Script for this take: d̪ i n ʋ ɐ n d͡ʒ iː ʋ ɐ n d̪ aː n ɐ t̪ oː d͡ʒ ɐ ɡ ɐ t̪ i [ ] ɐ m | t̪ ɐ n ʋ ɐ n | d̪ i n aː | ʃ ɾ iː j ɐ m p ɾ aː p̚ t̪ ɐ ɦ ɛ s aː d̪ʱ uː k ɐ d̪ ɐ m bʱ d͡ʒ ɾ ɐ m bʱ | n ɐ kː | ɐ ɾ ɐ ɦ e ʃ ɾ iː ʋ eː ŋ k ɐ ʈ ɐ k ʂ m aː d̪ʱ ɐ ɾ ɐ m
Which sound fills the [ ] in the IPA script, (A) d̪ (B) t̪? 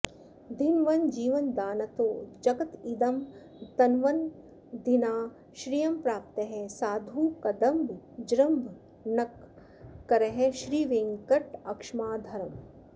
A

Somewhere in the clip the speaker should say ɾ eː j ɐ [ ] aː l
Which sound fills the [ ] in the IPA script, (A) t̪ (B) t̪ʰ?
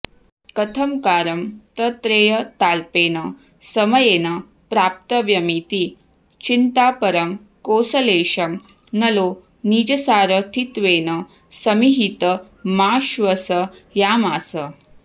A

